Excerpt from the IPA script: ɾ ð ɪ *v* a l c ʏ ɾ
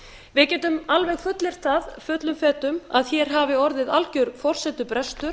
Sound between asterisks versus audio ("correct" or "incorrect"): incorrect